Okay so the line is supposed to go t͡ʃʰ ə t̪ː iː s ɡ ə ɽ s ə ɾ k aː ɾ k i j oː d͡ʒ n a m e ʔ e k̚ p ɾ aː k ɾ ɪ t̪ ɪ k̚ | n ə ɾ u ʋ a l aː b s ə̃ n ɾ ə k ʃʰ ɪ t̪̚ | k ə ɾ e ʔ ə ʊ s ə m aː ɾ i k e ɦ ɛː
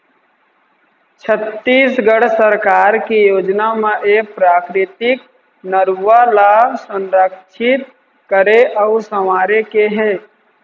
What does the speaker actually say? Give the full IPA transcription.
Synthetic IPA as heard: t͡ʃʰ ə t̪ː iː s ɡ ə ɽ s ə ɾ k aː ɾ k i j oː d͡ʒ n a m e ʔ e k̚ p ɾ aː k ɾ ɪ t̪ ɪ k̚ | n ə ɾ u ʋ a l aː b s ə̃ n ɾ ə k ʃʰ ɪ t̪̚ | k ə ɾ e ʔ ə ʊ s ə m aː ɾ e k e ɦ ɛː